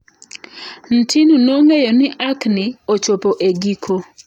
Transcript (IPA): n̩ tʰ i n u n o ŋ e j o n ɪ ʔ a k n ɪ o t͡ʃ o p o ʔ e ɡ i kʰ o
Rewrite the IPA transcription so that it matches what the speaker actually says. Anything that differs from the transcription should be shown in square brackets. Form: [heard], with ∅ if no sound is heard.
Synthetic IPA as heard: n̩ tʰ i n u n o ŋ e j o n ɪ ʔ a k n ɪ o t͡ʃ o p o ʔ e ɡ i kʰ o